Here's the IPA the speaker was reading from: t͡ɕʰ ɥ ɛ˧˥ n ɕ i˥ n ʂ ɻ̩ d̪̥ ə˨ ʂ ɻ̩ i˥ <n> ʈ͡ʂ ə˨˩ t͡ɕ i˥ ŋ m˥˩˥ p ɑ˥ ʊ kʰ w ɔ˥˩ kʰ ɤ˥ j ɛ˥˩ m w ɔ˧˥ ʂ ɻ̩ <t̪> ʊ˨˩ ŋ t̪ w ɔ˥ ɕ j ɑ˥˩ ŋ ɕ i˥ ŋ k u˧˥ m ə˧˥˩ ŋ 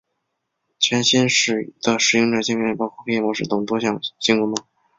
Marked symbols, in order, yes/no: no, yes

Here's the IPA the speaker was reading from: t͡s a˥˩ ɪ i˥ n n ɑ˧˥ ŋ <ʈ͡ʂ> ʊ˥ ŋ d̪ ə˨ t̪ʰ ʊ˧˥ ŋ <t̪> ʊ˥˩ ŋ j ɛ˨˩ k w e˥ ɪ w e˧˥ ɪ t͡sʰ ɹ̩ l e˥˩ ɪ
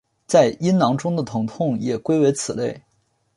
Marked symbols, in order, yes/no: yes, no

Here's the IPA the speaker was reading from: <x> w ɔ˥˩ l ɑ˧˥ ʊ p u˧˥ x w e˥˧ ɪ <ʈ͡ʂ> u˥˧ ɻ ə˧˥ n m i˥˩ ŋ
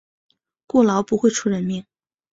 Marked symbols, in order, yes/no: no, no

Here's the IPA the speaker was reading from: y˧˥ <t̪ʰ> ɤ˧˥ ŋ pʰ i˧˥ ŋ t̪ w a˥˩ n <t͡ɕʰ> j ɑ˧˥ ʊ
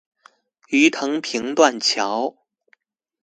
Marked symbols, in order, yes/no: yes, yes

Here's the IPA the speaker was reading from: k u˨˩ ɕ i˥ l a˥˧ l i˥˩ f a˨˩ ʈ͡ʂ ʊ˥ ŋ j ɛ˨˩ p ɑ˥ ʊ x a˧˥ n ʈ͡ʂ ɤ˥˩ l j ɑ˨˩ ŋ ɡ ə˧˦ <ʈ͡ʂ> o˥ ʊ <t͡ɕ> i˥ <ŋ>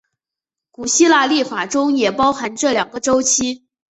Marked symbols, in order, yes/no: yes, no, no

